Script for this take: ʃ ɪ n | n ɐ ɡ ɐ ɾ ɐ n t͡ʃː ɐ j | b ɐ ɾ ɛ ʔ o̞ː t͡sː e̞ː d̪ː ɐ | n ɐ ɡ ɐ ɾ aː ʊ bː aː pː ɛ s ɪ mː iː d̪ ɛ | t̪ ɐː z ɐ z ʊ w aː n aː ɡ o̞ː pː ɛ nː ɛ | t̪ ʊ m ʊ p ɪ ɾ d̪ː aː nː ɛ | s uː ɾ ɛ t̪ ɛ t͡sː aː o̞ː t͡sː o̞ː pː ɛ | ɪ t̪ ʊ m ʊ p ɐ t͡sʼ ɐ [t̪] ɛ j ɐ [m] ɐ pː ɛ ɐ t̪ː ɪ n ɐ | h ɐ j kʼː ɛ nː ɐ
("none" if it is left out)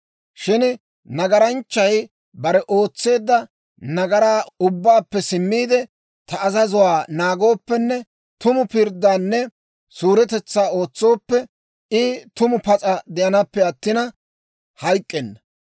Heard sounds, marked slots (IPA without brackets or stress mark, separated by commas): d̪, n